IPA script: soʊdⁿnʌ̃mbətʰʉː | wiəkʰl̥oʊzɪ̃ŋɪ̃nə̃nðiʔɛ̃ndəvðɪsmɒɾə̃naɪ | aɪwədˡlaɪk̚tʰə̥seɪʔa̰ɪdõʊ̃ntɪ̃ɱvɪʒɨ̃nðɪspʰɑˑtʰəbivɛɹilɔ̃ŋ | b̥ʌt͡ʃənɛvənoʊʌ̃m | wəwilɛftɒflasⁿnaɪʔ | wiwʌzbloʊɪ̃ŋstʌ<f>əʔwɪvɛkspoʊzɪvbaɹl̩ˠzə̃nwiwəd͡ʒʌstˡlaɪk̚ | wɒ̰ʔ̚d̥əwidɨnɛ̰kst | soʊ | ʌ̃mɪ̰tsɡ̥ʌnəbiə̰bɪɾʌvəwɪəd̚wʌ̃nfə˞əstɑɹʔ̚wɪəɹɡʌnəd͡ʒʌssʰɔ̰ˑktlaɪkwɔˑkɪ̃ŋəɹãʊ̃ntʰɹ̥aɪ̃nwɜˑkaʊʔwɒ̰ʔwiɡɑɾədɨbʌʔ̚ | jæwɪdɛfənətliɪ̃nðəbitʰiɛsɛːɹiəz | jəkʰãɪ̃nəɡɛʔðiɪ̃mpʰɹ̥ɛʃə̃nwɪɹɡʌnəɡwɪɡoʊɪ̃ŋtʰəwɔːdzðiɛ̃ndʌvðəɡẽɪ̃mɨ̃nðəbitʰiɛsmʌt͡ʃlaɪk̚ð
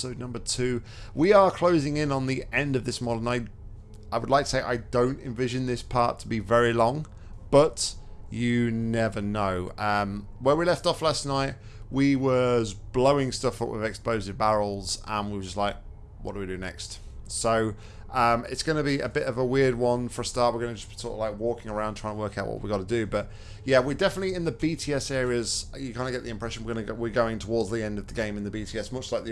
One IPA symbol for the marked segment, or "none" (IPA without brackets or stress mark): f